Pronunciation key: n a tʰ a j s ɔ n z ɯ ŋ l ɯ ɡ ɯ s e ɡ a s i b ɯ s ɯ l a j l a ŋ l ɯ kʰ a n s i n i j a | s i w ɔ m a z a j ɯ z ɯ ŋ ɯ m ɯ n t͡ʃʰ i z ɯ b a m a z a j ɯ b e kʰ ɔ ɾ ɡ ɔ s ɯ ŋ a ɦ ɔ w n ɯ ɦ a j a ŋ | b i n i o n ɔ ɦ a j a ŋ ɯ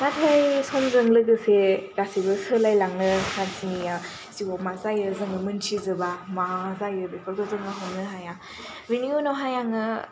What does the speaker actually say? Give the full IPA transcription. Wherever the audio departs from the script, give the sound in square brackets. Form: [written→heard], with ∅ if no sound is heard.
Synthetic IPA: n a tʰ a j s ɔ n z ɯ ŋ l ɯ ɡ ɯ s e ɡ a s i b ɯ s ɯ l a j l a ŋ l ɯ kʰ a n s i n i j a | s i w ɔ m a z a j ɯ z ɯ ŋ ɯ m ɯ n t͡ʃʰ i z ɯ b a m a z a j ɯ b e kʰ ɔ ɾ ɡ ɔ [s→z] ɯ ŋ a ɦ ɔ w n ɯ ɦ a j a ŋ | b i n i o n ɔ ɦ a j a ŋ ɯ